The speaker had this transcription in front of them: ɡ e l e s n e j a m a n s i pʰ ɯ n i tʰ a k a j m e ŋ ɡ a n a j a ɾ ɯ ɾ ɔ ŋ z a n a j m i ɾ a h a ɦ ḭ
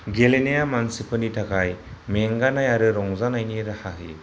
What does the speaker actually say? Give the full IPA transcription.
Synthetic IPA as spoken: ɡ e l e n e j a m a n s i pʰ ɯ n i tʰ a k a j m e ŋ ɡ a n a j a ɾ ɯ ɾ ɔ ŋ z a n a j n i ɾ a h a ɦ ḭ